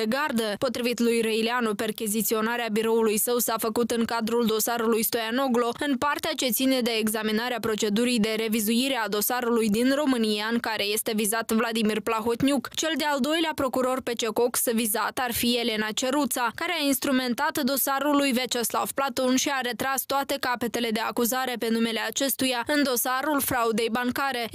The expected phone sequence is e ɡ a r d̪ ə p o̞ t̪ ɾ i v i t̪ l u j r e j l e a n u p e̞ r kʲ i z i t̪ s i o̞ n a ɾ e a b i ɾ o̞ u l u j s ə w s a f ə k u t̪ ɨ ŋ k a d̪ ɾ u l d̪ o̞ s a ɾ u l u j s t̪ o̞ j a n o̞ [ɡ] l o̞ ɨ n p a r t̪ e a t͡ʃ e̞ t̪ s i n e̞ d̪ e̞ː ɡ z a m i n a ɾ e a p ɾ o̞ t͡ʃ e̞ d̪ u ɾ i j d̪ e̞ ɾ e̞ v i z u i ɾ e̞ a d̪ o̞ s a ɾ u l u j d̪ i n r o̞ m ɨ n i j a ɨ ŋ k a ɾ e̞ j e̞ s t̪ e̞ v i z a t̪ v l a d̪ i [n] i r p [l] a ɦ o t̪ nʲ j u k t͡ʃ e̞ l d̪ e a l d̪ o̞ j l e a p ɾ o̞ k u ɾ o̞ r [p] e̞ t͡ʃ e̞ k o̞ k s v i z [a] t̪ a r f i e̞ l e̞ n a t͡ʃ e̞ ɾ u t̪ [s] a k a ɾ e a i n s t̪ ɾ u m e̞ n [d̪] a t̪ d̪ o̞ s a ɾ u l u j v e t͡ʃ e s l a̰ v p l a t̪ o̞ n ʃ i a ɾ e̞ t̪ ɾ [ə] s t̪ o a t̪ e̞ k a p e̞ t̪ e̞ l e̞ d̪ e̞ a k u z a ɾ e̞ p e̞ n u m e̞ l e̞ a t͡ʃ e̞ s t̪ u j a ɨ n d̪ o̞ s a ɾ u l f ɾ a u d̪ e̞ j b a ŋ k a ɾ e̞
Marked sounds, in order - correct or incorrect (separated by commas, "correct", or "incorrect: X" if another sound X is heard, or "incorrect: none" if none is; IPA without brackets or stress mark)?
correct, incorrect: m, correct, correct, correct, correct, incorrect: t̪, incorrect: a